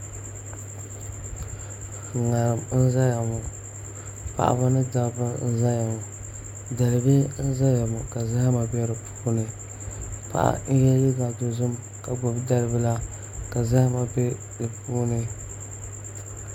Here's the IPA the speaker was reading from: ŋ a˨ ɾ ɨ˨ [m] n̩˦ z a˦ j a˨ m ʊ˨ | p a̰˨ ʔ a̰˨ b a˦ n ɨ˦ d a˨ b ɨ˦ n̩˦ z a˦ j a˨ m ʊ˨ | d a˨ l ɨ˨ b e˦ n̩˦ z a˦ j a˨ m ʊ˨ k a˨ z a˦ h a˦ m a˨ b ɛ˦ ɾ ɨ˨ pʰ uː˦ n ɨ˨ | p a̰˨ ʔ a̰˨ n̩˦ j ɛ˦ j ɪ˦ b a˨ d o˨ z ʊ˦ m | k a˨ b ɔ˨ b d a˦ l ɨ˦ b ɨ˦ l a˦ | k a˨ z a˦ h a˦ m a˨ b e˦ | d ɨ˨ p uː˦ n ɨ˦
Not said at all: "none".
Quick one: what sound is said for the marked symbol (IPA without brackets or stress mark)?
m